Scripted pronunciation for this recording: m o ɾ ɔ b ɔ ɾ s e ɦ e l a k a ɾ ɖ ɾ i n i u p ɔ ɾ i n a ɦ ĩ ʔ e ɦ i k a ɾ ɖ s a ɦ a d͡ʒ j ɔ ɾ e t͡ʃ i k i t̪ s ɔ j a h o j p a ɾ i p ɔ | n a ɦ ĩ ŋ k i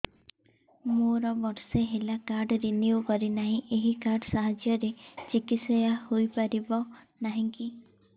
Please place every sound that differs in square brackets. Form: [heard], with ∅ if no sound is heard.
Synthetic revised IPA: m o ɾ ɔ b ɔ ɾ s e ɦ e l a k a ɾ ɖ ɾ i n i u [k] ɔ ɾ i n a ɦ ĩ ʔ e ɦ i k a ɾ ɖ s a ɦ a d͡ʒ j ɔ ɾ e t͡ʃ i k i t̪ s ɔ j a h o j p a ɾ i [b] ɔ | n a ɦ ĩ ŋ k i